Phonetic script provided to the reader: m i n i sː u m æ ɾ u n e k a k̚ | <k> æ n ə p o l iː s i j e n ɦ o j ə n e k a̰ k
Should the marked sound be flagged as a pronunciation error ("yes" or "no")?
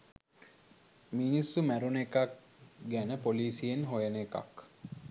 yes